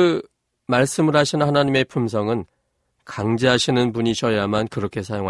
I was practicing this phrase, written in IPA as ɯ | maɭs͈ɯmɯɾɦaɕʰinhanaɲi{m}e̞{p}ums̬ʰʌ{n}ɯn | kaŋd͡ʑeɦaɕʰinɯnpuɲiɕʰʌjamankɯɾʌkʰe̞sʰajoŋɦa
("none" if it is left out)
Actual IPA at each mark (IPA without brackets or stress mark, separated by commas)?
m, pʰ, ŋ